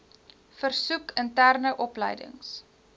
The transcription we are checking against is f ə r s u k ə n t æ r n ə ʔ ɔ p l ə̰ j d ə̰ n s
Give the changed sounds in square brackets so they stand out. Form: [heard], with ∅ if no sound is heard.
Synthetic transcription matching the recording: f ə r s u k ə n t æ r n ə ʔ ɔ p l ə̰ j d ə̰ [ŋ] s